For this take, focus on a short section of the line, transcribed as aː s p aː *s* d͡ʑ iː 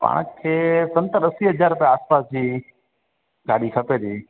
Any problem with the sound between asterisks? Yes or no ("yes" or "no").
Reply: no